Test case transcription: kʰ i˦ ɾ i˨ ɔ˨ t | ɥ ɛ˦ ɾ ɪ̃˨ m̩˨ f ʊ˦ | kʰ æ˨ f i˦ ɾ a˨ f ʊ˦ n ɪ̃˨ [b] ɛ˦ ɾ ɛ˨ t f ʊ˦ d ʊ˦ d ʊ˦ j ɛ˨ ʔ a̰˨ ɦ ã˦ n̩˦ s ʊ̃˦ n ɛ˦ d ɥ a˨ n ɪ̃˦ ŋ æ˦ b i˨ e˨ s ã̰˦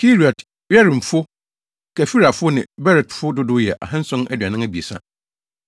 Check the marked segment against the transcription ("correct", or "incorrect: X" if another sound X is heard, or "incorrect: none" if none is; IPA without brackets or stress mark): correct